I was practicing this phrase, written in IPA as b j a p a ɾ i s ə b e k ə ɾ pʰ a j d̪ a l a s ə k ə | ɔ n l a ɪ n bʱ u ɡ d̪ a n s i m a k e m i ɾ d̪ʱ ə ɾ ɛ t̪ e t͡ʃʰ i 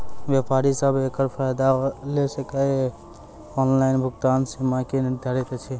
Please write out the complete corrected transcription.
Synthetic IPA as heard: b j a p a ɾ i s ə b e k ə ɾ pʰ a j d̪ a l e s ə k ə | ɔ n l a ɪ n bʱ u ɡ t̪ a n s i m a k e n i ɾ d̪ʱ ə ɾ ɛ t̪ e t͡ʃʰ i